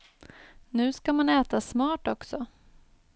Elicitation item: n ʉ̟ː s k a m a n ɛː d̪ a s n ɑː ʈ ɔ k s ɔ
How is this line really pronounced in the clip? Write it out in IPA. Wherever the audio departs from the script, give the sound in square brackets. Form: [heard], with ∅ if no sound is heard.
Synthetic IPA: n ʉ̟ː s k a m a n ɛː [t̪] a s [m] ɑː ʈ ɔ k s ɔ